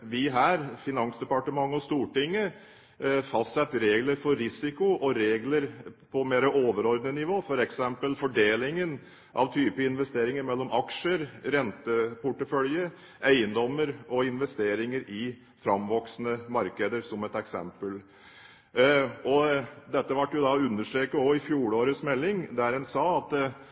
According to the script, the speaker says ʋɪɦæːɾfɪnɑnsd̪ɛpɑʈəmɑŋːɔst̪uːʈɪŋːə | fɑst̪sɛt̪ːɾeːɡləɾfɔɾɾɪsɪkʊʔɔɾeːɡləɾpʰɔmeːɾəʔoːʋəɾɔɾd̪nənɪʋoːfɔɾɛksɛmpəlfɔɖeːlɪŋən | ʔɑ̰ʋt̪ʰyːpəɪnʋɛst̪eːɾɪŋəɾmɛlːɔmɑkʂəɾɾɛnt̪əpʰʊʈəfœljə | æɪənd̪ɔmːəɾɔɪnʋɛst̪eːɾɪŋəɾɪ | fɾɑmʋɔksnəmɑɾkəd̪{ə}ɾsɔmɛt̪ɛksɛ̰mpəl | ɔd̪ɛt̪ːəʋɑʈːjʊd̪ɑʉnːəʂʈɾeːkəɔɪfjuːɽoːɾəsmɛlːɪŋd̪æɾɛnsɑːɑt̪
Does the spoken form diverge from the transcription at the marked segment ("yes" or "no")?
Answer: no